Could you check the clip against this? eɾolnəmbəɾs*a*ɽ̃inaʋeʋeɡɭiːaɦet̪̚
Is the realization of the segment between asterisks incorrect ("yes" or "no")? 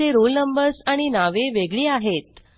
no